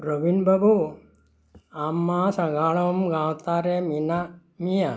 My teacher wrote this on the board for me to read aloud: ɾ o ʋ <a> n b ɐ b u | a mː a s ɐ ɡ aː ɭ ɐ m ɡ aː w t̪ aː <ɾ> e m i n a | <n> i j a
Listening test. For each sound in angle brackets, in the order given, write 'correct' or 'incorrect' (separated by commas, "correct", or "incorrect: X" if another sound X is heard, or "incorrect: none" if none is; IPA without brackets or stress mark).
incorrect: i, correct, incorrect: m